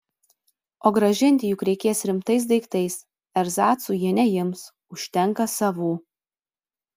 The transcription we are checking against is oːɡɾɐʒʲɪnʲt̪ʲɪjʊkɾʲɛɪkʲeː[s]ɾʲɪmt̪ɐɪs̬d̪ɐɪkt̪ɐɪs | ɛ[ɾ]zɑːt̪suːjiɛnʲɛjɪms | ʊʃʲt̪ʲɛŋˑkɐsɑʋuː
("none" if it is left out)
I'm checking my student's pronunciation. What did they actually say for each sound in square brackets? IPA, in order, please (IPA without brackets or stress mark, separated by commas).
s, ɾ